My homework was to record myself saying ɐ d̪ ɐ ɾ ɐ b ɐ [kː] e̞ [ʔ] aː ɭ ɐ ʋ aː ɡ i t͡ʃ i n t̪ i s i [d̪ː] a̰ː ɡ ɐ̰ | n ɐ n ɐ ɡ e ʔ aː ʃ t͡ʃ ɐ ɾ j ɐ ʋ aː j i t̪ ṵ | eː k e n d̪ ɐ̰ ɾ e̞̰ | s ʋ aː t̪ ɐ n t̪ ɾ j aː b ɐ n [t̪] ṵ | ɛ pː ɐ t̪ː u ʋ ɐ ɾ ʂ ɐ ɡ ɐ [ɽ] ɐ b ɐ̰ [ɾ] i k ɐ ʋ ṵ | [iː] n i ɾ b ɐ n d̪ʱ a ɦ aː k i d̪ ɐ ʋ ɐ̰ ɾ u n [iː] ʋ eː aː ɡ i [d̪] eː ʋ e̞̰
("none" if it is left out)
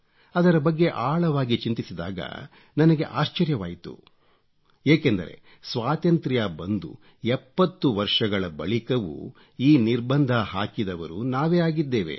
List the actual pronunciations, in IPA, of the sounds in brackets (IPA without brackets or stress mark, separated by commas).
ɡː, ʔ, d̪, d̪, ɭ, ɭ, iː, aː, d̪ː